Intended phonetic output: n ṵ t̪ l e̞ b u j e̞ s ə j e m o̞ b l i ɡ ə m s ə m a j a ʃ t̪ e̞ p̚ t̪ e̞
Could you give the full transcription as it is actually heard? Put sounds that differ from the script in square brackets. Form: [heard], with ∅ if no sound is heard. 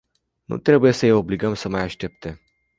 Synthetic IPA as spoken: n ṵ t̪ [ɾ] e̞ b u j e̞ s ə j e [∅] o̞ b l i ɡ ə m s ə m a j a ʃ t̪ e̞ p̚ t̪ e̞